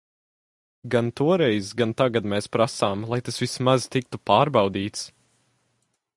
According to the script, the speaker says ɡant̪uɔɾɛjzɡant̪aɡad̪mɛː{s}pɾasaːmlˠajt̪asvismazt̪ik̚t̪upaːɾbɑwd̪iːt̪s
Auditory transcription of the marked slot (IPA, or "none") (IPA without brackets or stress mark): s